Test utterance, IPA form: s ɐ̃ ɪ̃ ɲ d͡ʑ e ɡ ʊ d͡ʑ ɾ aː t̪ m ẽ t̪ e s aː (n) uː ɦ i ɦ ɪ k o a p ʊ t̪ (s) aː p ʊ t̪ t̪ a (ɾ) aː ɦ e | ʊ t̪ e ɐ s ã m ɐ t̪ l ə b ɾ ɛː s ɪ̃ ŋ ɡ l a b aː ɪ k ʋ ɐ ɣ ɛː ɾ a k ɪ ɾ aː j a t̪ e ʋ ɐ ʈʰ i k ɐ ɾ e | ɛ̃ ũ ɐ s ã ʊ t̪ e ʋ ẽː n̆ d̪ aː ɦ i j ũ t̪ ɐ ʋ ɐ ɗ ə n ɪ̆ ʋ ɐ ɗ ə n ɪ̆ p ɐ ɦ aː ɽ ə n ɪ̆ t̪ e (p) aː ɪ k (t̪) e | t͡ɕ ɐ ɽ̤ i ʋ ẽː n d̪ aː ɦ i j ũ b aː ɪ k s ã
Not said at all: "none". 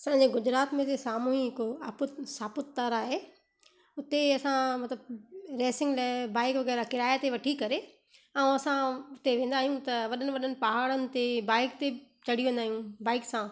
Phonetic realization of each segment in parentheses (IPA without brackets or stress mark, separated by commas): m, s, ɾ, b, t̪